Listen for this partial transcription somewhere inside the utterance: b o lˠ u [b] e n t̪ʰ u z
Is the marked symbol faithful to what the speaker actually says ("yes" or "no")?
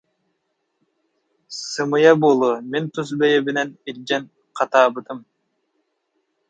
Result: no